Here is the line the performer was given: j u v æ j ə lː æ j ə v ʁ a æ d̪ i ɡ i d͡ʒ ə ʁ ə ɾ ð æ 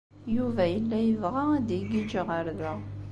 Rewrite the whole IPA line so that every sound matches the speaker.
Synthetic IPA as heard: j u v æ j ə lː æ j ə v ʁ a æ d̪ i ɡ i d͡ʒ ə ʁ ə ɾ ð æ